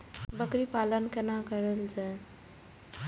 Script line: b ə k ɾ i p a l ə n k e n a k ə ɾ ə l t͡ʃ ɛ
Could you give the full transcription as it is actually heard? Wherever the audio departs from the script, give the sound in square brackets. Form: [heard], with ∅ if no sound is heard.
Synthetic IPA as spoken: b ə k ɾ i p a l ə n k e n a k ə ɾ ə l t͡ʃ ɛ